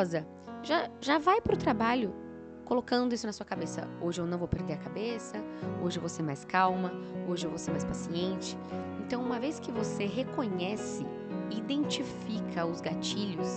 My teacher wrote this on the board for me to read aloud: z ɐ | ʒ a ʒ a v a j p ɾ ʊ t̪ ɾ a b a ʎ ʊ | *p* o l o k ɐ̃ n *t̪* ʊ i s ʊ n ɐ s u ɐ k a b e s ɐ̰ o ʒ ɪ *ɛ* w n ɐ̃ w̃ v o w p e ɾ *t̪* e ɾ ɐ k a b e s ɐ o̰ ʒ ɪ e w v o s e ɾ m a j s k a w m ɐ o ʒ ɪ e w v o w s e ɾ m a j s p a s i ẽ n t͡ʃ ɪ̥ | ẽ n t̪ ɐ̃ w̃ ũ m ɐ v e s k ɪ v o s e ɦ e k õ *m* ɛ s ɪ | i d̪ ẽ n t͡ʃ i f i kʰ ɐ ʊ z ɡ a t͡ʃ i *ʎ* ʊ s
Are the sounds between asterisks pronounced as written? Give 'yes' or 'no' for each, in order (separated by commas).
no, no, no, no, no, yes